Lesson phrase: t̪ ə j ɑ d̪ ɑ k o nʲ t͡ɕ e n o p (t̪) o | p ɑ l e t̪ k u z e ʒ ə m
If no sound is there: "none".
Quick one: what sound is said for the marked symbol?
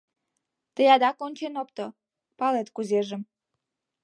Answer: t̪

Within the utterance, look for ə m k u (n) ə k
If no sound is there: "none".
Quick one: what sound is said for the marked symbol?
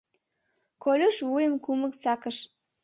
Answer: m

